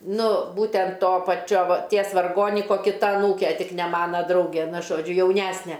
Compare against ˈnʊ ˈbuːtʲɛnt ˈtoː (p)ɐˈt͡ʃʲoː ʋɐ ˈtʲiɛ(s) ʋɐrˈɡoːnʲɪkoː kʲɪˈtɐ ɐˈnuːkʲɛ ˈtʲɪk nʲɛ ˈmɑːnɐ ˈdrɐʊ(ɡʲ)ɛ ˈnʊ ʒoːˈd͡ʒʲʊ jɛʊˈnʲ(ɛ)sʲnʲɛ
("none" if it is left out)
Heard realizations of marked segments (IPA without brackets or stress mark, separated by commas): p, s, ɡʲ, æ